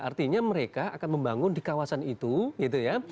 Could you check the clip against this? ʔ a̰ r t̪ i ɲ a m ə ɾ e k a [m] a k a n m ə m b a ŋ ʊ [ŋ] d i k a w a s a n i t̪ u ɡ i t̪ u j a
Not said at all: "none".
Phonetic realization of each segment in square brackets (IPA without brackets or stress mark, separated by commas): none, n